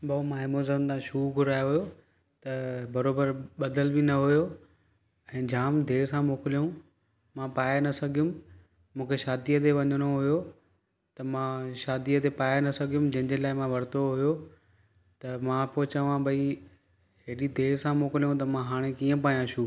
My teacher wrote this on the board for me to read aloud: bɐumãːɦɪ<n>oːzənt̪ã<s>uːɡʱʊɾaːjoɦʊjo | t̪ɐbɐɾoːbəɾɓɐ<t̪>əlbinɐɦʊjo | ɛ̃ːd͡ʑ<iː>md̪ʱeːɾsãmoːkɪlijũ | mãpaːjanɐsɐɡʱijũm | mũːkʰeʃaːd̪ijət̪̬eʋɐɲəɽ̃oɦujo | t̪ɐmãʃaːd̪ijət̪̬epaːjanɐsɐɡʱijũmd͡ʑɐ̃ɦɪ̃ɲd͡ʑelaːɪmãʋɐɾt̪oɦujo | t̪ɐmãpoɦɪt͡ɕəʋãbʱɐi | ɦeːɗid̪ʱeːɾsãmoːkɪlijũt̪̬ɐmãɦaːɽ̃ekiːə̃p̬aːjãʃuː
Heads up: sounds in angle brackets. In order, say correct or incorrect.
incorrect, incorrect, incorrect, incorrect

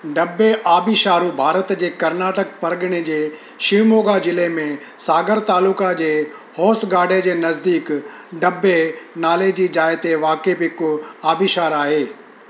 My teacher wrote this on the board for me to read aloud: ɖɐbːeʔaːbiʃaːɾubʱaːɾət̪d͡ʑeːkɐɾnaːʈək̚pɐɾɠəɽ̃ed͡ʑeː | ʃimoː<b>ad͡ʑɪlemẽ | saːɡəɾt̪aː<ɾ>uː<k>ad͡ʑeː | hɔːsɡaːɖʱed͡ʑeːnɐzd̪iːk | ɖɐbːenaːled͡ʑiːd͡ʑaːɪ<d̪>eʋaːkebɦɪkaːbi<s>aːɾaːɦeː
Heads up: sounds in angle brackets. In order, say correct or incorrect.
incorrect, incorrect, correct, incorrect, incorrect

